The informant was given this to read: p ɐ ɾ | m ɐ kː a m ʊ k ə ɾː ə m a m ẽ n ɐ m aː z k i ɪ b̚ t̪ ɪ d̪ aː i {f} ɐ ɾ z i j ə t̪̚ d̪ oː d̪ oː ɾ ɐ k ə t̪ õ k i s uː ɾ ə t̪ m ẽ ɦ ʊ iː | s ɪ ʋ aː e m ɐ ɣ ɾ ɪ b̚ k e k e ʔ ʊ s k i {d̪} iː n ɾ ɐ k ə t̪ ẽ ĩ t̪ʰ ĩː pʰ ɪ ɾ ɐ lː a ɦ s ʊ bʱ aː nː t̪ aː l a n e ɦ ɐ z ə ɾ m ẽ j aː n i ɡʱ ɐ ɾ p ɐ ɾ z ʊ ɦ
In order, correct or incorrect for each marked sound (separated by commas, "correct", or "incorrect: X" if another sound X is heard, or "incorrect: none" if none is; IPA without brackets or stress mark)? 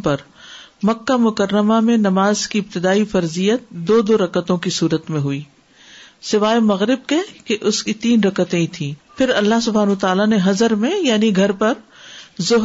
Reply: correct, incorrect: t̪